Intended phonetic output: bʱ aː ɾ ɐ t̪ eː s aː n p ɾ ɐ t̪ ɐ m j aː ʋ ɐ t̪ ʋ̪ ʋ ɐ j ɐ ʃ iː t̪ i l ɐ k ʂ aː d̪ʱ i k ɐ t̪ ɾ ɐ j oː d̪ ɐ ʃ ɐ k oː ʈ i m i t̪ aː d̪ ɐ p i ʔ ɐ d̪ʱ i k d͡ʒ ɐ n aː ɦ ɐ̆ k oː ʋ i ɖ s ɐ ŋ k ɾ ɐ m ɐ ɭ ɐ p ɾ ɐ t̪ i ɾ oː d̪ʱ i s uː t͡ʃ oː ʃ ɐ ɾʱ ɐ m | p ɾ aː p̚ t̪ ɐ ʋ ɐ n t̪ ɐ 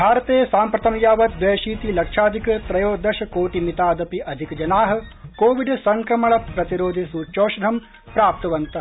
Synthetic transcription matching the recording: bʱ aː ɾ ɐ t̪ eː s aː m p ɾ ɐ t̪ ɐ m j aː ʋ ɐ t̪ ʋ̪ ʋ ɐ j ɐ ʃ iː t̪ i l ɐ k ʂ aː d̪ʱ i k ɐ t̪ ɾ ɐ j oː d̪ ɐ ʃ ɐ k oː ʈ i m i t̪ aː d̪ ɐ p i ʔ ɐ d̪ʱ i k d͡ʒ ɐ n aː ɦ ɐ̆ k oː ʋ i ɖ s ɐ ŋ k ɾ ɐ m ɐ ɭ ɐ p ɾ ɐ t̪ i ɾ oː d̪ʱ i s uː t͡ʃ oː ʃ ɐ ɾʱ ɐ m | p ɾ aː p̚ t̪ ɐ ʋ ɐ n t̪ ɐ

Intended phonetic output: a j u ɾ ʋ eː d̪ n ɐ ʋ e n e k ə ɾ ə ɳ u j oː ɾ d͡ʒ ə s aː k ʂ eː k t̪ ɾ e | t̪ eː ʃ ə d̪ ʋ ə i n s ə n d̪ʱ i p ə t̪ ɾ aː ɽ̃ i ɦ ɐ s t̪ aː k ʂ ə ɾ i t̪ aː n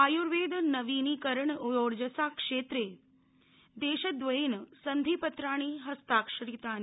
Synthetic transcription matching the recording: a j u ɾ ʋ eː d̪ n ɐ ʋ i n i k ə ɾ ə ɳ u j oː ɾ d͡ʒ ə s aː k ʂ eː t̪ ɾ e | d̪ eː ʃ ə d̪ ʋ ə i n s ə n d̪ʱ i p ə t̪ ɾ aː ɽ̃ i ɦ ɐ s t̪ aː k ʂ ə ɾ i t̪ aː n

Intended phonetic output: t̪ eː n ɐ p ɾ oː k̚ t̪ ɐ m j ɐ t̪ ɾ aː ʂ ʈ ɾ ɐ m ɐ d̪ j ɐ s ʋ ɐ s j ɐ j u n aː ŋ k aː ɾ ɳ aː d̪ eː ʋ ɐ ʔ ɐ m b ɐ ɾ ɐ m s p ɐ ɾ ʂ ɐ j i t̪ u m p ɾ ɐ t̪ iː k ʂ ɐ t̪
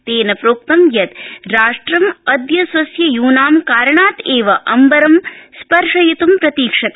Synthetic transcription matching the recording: t̪ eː n ɐ p ɾ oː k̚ t̪ ɐ m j ɐ t̪ ɾ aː ʂ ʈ ɾ ɐ m ɐ d̪ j ɐ s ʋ ɐ s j ɐ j uː n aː m k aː ɾ ɳ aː t̪ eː ʋ ɐ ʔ ɐ m b ɐ ɾ ɐ m s p ɐ ɾ ʂ ɐ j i t̪ u m p ɾ ɐ t̪ iː k ʂ ɐ t̪

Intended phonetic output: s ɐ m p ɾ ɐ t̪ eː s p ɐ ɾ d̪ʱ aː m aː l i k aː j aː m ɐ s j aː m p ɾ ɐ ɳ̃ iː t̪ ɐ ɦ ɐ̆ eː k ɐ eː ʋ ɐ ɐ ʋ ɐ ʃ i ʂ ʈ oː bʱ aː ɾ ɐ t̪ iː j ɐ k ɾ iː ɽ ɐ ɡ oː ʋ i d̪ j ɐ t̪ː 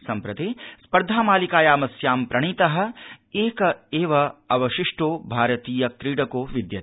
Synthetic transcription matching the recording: s ɐ m p ɾ ɐ t̪ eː s p ɐ ɾ d̪ʱ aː m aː l i k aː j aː m ɐ s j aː m p ɾ ɐ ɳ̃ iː t̪ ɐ ɦ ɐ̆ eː k ɐ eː ʋ ɐ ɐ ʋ ɐ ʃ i ʂ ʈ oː bʱ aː ɾ ɐ t̪ iː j ɐ k ɾ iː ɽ ɐ k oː ʋ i d̪ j ɐ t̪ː

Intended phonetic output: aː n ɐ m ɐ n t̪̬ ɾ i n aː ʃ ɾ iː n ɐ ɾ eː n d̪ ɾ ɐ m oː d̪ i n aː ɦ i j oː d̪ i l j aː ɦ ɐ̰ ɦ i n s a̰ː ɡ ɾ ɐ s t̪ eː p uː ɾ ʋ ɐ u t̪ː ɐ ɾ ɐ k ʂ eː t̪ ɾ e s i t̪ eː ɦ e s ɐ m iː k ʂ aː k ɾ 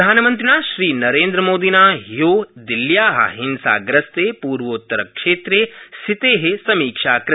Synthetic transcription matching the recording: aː n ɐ m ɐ n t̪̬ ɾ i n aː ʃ ɾ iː n ɐ ɾ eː n d̪ ɾ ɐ m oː d̪ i n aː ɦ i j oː d̪ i l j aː ɦ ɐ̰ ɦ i n s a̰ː ɡ ɾ ɐ s t̪ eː p uː ɾ ʋ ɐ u t̪ː ɐ ɾ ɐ k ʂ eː t̪ ɾ e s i t̪ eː ɦ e s ɐ m iː k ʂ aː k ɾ

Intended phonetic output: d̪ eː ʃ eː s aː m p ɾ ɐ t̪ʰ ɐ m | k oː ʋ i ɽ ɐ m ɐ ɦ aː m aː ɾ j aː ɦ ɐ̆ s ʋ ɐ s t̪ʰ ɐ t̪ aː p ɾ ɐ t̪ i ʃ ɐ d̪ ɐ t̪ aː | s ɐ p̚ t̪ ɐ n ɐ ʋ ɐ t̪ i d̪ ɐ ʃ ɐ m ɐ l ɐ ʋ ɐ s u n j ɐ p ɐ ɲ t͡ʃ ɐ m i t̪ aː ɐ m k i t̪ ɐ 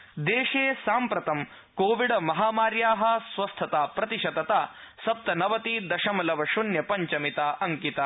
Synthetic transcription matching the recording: d̪ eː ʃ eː s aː m p ɾ ɐ t̪ ɐ m | k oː ʋ i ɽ ɐ m ɐ ɦ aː m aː ɾ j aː ɦ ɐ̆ s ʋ ɐ s t̪ʰ ɐ t̪ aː p ɾ ɐ t̪ i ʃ ɐ d̪ ɐ t̪ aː | s ɐ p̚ t̪ ɐ n ɐ ʋ ɐ t̪ i d̪ ɐ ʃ ɐ m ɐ l ɐ ʋ ɐ ʃ u n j ɐ p ɐ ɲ t͡ʃ ɐ m i t̪ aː ɐ ŋ k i t̪ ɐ

